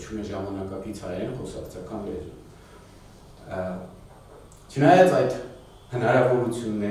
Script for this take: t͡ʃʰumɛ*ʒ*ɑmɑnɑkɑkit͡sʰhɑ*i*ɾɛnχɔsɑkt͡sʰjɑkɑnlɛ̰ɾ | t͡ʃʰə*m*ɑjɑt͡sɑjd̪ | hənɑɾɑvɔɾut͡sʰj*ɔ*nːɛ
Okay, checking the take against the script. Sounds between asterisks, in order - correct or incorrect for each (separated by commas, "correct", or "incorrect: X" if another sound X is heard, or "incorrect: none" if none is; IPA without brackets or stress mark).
correct, incorrect: j, incorrect: n, incorrect: u